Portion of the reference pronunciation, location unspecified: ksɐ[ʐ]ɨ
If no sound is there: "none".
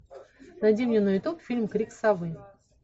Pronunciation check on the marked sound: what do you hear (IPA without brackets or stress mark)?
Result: v